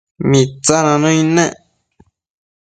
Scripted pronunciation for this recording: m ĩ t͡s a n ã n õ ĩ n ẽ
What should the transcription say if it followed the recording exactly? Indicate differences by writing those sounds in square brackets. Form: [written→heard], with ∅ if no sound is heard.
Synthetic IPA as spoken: m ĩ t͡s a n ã n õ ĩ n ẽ